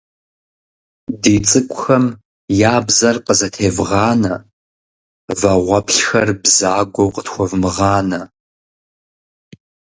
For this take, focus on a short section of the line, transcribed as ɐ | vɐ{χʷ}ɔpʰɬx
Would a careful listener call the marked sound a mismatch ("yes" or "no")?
yes